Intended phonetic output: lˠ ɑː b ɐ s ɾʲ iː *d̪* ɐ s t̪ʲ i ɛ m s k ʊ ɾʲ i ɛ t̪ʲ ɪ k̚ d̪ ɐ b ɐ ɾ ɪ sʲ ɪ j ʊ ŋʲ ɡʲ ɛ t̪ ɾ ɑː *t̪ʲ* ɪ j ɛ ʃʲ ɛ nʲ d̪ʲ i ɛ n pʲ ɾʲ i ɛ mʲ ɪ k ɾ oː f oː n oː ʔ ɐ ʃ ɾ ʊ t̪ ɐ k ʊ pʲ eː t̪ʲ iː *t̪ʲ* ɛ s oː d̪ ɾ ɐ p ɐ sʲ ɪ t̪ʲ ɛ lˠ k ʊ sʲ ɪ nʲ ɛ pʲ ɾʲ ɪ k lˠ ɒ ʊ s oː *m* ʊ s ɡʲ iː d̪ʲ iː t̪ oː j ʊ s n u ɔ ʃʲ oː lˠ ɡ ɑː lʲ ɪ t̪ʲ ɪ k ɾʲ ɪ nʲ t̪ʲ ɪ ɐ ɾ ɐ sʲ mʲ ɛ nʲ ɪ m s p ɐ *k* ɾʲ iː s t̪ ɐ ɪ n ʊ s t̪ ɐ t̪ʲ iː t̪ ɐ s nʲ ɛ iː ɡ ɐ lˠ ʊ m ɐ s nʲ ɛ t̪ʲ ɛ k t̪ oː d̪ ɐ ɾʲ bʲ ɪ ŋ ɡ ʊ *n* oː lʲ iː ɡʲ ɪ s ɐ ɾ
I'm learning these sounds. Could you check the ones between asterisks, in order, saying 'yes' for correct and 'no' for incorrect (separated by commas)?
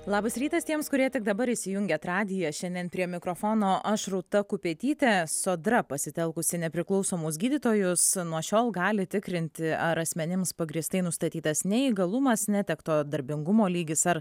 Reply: no, no, yes, yes, no, no